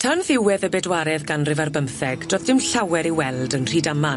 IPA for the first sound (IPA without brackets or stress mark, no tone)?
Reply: tʰ